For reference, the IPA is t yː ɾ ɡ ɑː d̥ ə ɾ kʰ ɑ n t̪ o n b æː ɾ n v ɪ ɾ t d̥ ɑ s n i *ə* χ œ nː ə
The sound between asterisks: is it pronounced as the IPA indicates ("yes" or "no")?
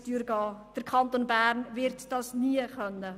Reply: yes